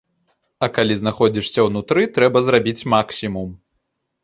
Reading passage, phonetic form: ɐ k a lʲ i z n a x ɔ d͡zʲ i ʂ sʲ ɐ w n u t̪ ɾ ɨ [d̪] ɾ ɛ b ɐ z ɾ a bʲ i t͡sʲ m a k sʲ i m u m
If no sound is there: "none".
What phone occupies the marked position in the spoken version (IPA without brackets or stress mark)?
t̪